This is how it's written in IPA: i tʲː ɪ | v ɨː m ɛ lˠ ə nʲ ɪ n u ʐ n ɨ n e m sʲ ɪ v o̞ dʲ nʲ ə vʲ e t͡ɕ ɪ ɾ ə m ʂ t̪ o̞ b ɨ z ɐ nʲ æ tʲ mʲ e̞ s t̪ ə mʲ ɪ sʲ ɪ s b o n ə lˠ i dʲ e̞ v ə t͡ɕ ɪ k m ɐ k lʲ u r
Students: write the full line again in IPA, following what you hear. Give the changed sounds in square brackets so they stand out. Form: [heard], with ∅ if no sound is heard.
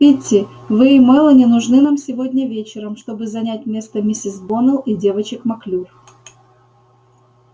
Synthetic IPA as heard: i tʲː ɪ | v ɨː m ɛ lˠ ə nʲ ɪ n [ʊ] ʐ n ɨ n [a] m sʲ ɪ v o̞ dʲ nʲ ə vʲ e t͡ɕ ɪ ɾ ə m ʂ t̪ o̞ b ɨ z ɐ nʲ æ tʲ mʲ e̞ s t̪ ə mʲ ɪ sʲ ɪ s b o n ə lˠ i dʲ e̞ v ə t͡ɕ ɪ k m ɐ k lʲ u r